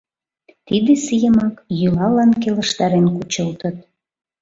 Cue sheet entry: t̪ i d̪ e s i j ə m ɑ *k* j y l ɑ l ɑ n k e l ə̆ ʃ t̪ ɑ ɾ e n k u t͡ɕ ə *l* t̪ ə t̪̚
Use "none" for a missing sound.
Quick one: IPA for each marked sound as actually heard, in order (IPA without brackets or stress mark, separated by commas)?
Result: k, l